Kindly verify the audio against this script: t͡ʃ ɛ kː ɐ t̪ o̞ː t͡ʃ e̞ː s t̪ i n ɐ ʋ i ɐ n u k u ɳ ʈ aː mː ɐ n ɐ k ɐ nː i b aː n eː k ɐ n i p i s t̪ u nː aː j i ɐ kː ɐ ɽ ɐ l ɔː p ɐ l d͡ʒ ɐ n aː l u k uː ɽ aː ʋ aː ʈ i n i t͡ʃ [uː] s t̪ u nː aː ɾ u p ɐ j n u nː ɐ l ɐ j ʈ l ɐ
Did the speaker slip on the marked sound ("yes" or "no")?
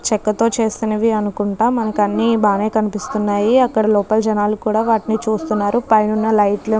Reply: no